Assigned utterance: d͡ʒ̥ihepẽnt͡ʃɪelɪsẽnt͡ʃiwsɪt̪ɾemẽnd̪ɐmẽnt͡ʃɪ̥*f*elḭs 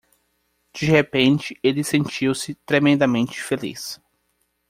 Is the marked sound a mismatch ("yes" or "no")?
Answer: no